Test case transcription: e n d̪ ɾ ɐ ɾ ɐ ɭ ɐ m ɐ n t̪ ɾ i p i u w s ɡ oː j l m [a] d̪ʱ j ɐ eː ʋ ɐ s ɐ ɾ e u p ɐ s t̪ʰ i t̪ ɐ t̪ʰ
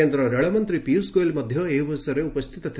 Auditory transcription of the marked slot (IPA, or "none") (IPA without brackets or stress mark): ɐ